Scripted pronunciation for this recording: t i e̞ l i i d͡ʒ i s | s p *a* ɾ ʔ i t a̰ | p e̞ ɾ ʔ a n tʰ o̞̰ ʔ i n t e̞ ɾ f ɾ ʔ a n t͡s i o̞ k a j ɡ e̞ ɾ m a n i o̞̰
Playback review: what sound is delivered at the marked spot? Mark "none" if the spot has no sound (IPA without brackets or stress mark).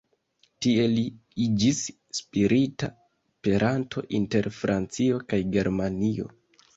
i